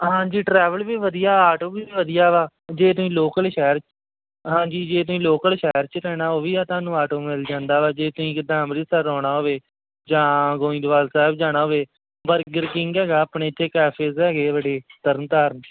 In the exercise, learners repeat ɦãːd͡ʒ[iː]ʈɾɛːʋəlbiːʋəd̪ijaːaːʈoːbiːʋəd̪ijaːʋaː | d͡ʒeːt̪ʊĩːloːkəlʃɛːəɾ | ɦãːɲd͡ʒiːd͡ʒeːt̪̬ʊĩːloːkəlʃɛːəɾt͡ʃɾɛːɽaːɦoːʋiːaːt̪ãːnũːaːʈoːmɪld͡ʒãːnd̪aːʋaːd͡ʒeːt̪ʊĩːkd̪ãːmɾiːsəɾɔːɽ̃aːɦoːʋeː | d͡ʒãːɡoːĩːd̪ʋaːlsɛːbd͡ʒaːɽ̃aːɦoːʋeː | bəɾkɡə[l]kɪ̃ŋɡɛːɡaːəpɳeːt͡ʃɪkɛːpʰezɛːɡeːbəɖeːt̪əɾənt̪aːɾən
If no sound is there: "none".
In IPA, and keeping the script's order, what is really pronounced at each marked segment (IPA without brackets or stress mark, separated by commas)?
iː, ɾ